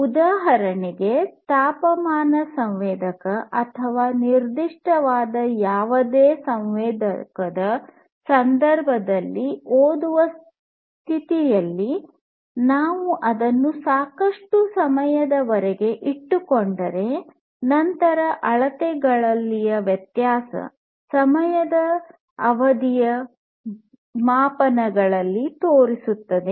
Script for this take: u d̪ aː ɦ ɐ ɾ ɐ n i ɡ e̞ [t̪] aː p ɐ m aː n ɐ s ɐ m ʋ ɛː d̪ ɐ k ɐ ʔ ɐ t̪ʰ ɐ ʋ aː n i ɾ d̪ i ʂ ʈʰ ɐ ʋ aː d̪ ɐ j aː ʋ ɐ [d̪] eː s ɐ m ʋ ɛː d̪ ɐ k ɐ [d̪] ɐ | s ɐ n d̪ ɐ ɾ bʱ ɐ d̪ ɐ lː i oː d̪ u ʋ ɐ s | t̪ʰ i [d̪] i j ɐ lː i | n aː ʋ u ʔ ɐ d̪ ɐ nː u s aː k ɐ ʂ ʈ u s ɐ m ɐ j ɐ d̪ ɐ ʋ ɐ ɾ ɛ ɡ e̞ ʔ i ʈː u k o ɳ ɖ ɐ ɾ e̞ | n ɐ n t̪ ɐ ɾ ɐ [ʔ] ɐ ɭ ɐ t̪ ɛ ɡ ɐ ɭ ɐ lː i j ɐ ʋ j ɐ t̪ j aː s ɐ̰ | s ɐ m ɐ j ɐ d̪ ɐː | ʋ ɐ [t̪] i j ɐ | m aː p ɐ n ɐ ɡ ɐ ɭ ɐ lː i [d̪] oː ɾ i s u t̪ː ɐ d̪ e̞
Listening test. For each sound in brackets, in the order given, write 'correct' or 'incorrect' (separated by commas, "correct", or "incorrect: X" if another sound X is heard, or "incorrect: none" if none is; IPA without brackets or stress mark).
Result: correct, correct, correct, incorrect: t̪, correct, incorrect: d̪, incorrect: t̪